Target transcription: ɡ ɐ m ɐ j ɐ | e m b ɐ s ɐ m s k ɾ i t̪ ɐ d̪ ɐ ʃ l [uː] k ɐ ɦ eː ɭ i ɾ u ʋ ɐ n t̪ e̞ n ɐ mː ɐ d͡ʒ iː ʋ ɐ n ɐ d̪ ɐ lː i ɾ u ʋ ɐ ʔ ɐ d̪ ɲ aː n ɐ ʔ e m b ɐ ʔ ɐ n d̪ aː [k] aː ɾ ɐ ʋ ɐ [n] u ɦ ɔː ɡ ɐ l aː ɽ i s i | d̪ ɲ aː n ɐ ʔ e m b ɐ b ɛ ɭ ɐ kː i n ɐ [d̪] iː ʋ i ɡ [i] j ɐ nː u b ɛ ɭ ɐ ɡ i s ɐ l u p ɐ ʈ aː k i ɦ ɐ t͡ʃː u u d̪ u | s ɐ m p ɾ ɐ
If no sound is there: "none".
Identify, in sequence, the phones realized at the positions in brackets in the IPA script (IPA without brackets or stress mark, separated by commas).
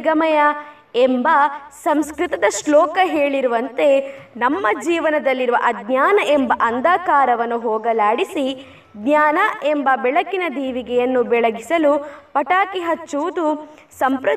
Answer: ɔː, k, nː, d̪, ɛ